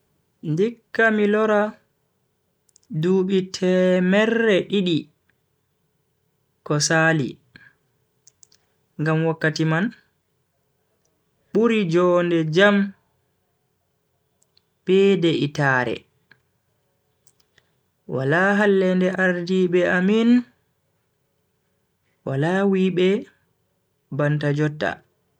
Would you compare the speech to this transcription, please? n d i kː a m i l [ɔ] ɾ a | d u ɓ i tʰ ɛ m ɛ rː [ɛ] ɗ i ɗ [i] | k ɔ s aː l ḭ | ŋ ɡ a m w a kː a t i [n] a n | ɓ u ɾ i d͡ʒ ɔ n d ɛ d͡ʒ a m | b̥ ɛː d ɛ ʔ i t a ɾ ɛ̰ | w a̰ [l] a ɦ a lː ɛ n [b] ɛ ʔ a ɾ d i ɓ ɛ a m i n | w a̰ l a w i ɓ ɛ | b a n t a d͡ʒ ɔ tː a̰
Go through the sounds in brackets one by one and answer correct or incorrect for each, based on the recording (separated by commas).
correct, correct, correct, incorrect, correct, incorrect